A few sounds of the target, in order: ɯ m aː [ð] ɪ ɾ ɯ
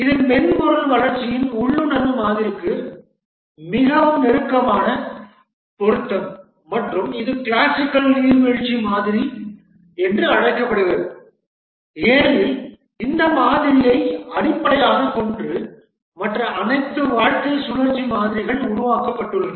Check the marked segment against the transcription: correct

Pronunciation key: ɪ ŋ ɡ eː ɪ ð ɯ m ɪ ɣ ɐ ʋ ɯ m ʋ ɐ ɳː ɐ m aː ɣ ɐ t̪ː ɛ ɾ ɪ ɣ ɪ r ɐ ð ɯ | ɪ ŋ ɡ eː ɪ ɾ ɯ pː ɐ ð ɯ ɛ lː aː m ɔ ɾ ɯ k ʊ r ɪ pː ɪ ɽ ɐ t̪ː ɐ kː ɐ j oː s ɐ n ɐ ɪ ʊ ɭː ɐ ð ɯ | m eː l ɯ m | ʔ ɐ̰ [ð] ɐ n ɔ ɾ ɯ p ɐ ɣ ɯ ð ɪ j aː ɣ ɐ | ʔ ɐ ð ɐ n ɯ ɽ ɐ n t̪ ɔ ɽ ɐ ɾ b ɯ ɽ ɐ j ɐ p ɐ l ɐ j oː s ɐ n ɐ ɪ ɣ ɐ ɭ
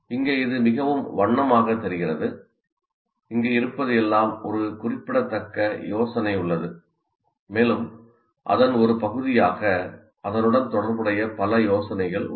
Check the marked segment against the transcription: correct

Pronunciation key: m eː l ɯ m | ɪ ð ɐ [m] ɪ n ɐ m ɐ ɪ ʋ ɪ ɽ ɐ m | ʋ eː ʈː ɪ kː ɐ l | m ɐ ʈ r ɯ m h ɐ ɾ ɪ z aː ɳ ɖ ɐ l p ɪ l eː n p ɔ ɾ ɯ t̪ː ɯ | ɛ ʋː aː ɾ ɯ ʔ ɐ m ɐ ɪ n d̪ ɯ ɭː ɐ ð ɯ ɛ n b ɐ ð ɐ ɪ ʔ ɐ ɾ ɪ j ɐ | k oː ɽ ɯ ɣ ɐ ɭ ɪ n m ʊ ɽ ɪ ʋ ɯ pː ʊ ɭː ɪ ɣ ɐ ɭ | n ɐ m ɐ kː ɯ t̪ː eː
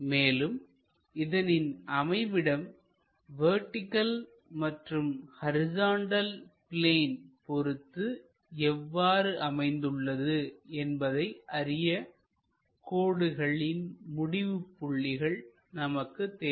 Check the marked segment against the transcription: incorrect: n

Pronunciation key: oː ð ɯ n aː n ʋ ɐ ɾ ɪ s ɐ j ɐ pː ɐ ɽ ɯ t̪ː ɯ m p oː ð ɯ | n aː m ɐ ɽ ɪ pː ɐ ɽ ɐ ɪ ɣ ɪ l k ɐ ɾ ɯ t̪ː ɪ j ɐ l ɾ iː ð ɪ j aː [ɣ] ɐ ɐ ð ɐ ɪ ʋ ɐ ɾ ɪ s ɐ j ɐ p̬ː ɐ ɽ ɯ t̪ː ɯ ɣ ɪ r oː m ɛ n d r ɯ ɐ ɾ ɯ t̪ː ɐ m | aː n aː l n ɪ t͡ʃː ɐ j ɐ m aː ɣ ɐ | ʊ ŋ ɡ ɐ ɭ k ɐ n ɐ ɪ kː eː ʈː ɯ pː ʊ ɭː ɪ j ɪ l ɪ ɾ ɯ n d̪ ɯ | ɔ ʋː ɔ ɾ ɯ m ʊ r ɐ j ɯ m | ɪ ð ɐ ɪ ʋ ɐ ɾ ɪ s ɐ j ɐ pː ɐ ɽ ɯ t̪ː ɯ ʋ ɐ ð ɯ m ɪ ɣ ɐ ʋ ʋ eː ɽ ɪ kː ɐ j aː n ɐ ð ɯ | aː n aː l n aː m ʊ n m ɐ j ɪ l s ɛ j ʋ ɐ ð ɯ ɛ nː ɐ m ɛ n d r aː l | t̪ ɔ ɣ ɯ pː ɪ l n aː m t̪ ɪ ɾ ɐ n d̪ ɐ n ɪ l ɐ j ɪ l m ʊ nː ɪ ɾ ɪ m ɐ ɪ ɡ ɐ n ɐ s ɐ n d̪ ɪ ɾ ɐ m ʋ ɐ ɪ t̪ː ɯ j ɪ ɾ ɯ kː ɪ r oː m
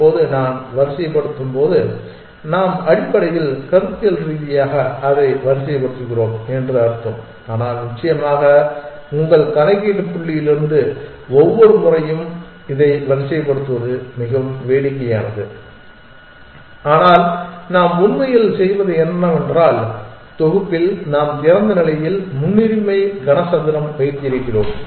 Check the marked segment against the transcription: correct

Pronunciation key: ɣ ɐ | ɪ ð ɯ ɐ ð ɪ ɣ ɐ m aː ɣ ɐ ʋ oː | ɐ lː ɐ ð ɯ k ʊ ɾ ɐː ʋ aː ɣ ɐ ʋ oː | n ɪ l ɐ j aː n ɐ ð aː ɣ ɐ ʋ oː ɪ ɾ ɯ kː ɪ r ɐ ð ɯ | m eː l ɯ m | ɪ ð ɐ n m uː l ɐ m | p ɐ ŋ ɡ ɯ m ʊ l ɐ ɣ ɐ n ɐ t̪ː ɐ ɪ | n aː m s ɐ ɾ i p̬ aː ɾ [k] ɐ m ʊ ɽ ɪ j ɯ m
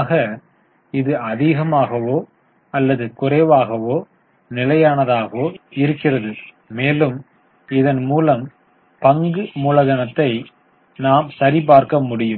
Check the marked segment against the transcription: correct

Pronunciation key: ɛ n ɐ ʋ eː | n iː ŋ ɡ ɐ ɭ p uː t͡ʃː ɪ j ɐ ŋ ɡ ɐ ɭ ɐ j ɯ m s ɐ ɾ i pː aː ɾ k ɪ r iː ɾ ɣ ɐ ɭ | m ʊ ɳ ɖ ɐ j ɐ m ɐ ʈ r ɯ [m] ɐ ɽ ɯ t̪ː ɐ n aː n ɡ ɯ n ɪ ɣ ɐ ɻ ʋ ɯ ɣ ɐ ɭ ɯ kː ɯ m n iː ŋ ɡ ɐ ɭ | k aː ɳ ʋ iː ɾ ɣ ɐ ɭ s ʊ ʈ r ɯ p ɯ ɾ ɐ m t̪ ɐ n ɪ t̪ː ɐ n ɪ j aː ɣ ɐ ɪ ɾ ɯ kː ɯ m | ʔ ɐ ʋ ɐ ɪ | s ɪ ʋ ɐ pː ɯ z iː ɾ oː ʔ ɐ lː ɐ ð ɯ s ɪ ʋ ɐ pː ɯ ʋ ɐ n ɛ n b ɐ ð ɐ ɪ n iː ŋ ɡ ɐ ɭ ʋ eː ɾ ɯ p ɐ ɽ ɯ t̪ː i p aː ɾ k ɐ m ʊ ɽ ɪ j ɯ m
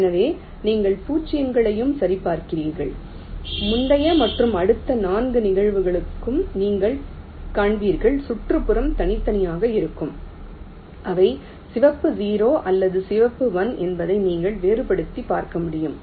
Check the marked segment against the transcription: correct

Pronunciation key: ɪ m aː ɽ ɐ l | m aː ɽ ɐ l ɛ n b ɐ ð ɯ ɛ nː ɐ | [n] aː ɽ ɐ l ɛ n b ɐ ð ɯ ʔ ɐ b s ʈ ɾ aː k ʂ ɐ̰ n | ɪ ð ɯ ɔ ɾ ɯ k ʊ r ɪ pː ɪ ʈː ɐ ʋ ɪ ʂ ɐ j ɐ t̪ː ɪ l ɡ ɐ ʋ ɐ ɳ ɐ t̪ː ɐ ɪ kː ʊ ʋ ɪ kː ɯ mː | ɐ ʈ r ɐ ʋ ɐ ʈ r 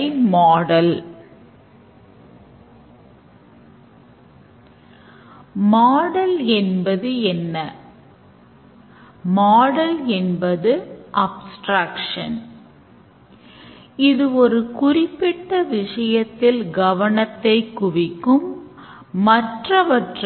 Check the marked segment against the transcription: incorrect: m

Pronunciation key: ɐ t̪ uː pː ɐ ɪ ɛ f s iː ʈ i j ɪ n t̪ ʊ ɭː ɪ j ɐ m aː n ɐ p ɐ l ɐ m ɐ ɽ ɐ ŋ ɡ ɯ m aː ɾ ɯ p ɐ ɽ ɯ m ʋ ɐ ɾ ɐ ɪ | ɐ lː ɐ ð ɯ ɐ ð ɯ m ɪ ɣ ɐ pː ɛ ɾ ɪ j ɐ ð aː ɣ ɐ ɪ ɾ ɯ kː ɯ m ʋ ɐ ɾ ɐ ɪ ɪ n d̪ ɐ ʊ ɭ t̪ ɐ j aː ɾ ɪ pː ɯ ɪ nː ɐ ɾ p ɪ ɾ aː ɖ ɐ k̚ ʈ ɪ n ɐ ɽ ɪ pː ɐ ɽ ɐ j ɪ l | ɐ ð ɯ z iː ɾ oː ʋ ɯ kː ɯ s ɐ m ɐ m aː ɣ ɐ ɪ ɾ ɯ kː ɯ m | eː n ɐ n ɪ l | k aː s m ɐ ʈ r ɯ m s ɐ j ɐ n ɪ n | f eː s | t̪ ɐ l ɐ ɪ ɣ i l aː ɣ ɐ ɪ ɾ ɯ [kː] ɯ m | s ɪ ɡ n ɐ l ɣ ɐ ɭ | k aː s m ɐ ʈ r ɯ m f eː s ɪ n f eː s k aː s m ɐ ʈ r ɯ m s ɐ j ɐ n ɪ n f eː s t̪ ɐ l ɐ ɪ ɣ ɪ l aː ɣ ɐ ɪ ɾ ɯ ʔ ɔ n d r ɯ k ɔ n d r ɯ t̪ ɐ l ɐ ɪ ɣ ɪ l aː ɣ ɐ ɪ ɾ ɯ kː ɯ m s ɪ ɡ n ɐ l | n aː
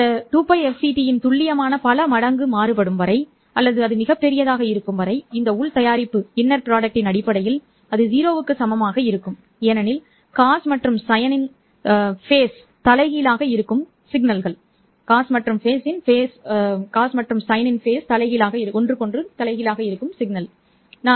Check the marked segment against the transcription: correct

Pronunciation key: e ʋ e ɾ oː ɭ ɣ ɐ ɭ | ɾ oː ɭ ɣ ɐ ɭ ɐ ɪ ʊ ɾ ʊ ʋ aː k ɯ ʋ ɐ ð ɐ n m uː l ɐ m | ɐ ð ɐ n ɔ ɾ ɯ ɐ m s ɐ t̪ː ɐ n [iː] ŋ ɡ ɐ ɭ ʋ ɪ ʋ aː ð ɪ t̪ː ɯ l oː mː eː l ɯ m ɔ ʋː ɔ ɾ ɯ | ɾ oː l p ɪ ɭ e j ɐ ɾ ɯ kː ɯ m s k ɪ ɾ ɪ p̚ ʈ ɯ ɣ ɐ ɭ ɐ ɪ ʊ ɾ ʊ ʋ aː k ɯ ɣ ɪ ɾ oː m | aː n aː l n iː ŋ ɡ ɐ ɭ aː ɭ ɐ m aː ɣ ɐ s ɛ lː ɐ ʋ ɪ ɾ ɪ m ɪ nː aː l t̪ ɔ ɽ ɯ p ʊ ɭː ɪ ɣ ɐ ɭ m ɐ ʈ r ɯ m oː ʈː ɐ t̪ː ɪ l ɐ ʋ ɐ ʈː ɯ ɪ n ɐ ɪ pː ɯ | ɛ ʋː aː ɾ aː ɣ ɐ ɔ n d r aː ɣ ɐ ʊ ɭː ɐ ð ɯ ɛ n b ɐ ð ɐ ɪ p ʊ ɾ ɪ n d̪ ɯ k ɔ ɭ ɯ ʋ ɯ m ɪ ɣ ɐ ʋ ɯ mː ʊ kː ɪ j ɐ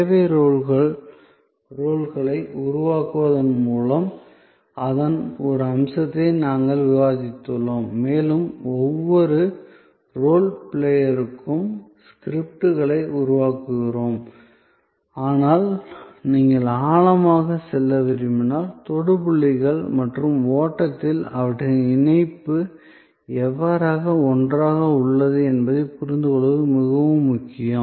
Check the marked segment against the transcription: incorrect: aː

